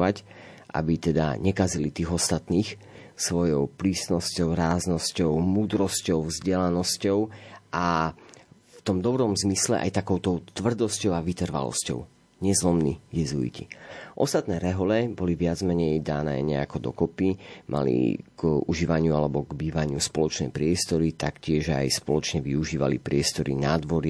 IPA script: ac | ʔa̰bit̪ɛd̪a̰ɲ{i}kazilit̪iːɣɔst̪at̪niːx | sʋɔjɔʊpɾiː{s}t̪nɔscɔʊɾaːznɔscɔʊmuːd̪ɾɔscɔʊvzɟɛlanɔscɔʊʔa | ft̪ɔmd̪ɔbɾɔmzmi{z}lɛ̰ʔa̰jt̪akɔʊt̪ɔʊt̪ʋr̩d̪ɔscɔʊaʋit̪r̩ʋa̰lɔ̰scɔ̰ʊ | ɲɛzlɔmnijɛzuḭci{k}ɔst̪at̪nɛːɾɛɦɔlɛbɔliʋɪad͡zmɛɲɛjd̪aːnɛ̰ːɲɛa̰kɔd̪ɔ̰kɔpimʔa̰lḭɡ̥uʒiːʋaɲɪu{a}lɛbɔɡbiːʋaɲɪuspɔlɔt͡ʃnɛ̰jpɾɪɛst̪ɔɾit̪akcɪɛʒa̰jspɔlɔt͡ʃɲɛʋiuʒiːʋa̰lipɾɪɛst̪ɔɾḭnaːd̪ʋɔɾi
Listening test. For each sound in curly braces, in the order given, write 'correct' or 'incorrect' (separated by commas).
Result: incorrect, correct, incorrect, incorrect, correct